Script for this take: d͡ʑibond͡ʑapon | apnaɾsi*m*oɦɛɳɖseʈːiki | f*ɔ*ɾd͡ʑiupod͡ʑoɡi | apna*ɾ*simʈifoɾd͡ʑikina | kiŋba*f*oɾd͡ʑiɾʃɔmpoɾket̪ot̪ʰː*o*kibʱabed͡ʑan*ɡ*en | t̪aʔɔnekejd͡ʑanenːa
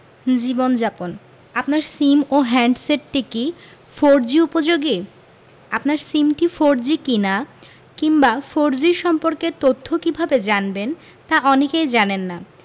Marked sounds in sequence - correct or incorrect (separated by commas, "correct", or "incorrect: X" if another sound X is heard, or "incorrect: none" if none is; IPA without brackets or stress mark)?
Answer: correct, incorrect: o, correct, correct, correct, incorrect: b